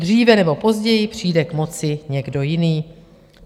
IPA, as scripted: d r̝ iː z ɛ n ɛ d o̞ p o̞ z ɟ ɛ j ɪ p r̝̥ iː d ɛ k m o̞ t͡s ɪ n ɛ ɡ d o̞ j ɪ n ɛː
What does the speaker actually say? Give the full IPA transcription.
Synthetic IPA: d r̝ iː v ɛ n ɛ b o̞ p o̞ z ɟ ɛ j ɪ p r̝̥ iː d ɛ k m o̞ t͡s ɪ ɲ ɛ ɡ d o̞ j ɪ n iː